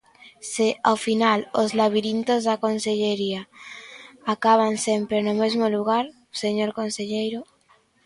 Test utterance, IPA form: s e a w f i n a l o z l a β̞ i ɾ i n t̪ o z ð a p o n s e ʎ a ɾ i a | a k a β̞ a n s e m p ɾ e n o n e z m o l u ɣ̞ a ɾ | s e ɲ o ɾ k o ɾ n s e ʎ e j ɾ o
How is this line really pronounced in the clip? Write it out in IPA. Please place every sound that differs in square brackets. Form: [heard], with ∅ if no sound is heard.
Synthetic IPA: s e a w f i n a l o z l a β̞ i ɾ i n t̪ o z ð a [k] o n s e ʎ [e] ɾ i a | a k a β̞ a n s e m p ɾ e n o [m] e z m o l u ɣ̞ a ɾ | s e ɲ o ɾ k o [∅] n s e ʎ e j ɾ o

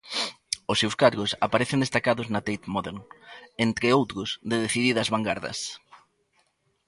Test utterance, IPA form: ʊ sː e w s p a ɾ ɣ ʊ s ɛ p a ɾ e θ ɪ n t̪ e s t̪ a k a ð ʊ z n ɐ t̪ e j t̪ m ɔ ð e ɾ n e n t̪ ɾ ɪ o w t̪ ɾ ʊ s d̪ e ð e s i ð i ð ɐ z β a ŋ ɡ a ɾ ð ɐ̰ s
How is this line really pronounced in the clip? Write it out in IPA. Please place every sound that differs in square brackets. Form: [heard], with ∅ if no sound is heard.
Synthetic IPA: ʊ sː e w s [k] a ɾ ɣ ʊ s [a] p a ɾ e θ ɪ n [d̪] e s t̪ a k a ð ʊ z n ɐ t̪ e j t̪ m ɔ ð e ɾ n e n t̪ ɾ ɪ o w t̪ ɾ ʊ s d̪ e ð e [θ] i ð i ð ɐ z β a ŋ ɡ a ɾ ð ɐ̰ s

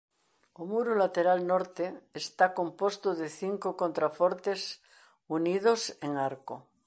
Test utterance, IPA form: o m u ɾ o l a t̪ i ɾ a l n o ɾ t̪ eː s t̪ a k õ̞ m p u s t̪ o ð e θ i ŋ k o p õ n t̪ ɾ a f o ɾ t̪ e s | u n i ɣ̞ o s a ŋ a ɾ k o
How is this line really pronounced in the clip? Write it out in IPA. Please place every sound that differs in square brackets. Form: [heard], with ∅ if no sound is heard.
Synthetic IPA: o m u ɾ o l a t̪ [e] ɾ a l n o ɾ t̪ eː s t̪ a k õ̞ m p [o] s t̪ o ð e θ i ŋ k o [k] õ n t̪ ɾ a f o ɾ t̪ e s | u n i [ð̞] o s [e] ŋ a ɾ k o

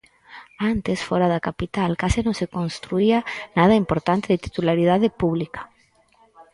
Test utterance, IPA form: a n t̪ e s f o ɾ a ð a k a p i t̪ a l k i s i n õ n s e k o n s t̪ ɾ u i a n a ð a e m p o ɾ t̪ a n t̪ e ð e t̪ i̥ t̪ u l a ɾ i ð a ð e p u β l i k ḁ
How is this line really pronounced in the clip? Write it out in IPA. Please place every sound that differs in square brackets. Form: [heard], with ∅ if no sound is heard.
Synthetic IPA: a n t̪ e s f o ɾ a ð a k a p i t̪ a l k [a] s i n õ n s e k o n s t̪ ɾ u i a n a ð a [i] m p o ɾ t̪ a n t̪ e ð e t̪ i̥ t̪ u l a ɾ i ð a ð e p u β l i k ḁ

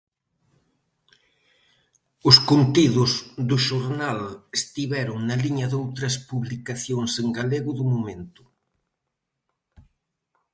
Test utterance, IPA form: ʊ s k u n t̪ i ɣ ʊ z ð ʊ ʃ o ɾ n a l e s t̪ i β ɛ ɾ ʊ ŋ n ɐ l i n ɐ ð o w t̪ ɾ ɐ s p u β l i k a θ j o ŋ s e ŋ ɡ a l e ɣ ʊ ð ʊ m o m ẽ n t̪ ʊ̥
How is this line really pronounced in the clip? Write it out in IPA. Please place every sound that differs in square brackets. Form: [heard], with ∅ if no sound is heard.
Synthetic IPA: ʊ s k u n t̪ i [ð] ʊ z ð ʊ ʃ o ɾ n a l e s t̪ i β ɛ ɾ ʊ ŋ n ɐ l i [ɲ] ɐ ð o w t̪ ɾ ɐ s p u β l i k a θ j o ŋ s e ŋ ɡ a l e ɣ ʊ ð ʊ m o m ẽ n t̪ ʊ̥

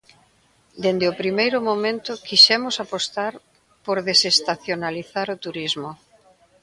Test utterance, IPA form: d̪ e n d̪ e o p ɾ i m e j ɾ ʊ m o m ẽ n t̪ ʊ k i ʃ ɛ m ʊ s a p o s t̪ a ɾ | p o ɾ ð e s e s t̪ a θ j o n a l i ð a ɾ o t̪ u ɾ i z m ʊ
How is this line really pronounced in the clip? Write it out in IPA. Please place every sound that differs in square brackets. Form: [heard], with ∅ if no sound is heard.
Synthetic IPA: d̪ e n d̪ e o p ɾ i m e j ɾ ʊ m o m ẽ n t̪ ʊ k i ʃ ɛ m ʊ s a p o s t̪ a ɾ | p o ɾ ð e s e s t̪ a θ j o n a l i [θ] a ɾ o t̪ u ɾ i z m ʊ

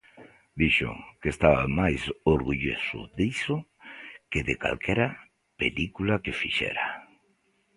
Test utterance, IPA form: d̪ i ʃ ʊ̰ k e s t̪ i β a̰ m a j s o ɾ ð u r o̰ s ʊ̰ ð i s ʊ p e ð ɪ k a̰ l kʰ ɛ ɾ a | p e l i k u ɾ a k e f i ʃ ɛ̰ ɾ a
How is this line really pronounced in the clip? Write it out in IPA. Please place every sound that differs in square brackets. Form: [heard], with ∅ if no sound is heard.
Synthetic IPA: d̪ i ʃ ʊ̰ k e s t̪ [a] β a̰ m a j s o ɾ [ɣ] u [ʎ] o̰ s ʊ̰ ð i s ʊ [k] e ð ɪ k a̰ l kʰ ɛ ɾ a | p e l i k u [l] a k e f i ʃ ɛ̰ ɾ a

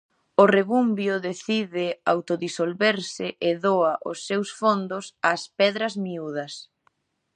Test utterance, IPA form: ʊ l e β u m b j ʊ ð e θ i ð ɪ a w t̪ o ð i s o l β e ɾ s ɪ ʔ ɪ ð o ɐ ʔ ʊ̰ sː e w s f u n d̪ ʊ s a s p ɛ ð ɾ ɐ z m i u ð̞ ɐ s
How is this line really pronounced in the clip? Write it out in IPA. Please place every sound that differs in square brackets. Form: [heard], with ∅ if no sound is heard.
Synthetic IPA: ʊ [r] e β u m b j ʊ ð e θ i ð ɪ a w t̪ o ð i s o l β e ɾ s ɪ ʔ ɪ ð o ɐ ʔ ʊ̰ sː e w s f [o] n d̪ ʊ s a s p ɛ ð ɾ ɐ z m i u ð̞ ɐ s

